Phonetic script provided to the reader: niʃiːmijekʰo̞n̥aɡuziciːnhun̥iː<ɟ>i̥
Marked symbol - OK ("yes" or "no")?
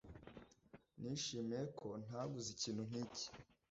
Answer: no